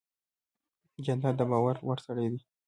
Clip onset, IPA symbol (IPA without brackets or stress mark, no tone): d͡ʒ